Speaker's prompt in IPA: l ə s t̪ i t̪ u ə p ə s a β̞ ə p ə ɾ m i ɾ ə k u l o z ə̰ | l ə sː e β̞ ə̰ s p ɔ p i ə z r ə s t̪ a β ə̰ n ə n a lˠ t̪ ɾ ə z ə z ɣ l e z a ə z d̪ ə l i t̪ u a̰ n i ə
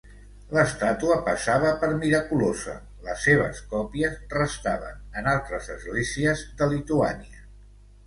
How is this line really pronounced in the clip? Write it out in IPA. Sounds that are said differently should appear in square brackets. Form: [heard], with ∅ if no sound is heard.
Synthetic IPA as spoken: l ə s t̪ [a] t̪ u ə p ə s a β̞ ə p ə ɾ m i ɾ ə k u l o z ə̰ | l ə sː e β̞ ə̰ s [k] ɔ p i ə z r ə s t̪ a β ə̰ n ə n a lˠ t̪ ɾ ə z ə z ɣ l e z [i] ə z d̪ ə l i t̪ u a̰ n i ə

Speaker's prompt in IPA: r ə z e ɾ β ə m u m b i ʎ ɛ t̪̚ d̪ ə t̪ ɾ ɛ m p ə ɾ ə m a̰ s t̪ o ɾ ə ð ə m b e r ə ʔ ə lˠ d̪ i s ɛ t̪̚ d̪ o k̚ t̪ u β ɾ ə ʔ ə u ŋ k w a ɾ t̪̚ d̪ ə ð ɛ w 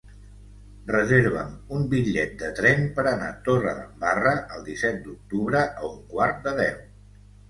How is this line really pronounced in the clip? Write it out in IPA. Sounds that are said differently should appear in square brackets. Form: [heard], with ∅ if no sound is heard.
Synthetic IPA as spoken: r ə z e ɾ β ə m u m b i ʎ ɛ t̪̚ d̪ ə t̪ ɾ ɛ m p ə ɾ ə [n] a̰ [∅] t̪ o [r] ə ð ə m b [a] r ə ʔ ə lˠ d̪ i s ɛ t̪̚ d̪ [u] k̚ t̪ u β ɾ ə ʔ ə u ŋ k w a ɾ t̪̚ d̪ ə ð ɛ w

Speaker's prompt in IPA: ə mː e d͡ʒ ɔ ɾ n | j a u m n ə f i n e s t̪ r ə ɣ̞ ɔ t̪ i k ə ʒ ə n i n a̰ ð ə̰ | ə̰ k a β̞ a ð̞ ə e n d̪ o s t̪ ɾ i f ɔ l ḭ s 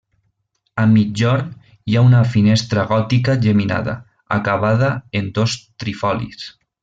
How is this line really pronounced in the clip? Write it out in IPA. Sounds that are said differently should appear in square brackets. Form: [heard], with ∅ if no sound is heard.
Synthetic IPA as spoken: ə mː [i] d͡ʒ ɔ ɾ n | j a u [∅] n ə f i n e s t̪ [ɾ] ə ɣ̞ ɔ t̪ i k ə ʒ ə [m] i n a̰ ð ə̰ | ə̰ k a β̞ a ð̞ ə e n d̪ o s t̪ ɾ i f ɔ l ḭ s

